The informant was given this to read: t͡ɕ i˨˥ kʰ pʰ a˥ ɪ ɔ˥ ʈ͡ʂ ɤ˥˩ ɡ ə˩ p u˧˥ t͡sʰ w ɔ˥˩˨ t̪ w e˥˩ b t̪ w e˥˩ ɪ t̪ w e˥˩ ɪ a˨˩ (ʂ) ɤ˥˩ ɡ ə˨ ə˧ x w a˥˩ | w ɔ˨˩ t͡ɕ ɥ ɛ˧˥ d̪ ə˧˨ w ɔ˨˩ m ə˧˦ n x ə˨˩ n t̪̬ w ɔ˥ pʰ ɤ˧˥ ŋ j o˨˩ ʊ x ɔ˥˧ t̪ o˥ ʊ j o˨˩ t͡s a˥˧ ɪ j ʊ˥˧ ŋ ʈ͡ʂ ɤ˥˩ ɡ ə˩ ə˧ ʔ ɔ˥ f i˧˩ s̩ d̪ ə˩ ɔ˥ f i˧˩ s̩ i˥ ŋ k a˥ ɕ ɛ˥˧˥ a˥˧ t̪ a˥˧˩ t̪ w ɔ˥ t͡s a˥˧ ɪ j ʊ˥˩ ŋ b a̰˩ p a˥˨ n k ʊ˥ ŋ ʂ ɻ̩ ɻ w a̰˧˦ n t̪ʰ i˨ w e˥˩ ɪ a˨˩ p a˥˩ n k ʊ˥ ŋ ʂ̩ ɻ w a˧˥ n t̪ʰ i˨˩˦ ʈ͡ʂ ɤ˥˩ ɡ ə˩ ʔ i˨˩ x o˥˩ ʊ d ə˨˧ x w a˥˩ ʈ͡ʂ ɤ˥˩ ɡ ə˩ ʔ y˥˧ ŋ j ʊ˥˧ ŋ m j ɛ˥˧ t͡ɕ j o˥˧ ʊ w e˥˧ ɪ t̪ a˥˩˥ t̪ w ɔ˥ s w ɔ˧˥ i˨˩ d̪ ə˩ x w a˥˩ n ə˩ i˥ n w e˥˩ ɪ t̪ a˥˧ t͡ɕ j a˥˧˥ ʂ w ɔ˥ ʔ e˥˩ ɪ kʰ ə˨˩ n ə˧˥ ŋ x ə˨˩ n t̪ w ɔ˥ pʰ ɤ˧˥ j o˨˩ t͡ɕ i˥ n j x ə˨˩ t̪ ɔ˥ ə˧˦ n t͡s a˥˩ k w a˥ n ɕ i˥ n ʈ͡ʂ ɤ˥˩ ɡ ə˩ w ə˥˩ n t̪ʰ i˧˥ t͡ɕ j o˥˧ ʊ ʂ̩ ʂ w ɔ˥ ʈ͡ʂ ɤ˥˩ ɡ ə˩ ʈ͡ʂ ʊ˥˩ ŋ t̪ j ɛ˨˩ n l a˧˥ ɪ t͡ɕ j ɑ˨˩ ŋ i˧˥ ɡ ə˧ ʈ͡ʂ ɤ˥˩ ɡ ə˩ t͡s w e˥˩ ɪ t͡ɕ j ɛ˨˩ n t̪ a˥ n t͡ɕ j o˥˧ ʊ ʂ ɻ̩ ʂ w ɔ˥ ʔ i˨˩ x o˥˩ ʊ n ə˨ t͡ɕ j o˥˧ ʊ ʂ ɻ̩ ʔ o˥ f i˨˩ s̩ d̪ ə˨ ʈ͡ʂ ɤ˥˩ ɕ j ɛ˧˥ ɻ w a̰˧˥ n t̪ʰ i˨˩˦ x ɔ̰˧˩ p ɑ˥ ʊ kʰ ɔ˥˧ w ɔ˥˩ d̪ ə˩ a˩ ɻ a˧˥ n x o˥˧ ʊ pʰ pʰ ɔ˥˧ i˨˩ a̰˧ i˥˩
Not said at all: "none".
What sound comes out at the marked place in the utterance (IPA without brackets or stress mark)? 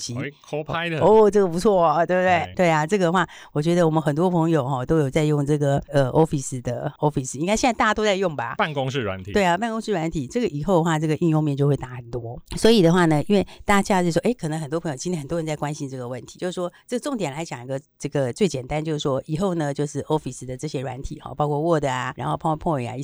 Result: ʈ͡ʂ